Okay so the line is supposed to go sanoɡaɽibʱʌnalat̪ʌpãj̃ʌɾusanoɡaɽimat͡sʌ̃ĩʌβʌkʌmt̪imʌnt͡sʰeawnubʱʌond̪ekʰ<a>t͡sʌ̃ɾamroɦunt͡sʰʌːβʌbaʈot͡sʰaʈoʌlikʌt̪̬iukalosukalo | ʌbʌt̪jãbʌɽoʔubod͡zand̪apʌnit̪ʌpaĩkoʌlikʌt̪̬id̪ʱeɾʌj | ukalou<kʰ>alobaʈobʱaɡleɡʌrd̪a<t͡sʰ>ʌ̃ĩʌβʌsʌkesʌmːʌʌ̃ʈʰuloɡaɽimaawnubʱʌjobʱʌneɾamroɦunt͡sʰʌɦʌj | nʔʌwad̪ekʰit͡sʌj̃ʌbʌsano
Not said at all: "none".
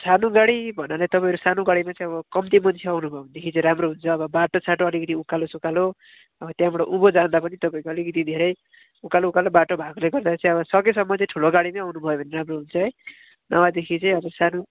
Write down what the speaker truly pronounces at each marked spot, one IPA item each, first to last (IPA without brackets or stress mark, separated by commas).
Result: i, k, t͡s